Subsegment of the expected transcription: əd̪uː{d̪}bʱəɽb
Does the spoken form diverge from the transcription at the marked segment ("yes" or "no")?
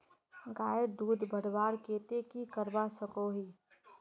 no